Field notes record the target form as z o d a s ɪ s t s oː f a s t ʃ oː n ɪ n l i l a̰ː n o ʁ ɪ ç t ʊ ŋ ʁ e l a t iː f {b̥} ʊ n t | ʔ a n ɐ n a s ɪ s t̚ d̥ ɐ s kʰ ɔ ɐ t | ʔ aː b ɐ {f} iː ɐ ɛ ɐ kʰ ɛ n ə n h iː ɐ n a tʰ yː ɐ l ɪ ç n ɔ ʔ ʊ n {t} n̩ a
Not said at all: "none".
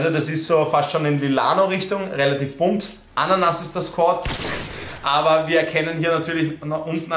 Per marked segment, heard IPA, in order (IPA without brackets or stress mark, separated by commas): b̥, v, t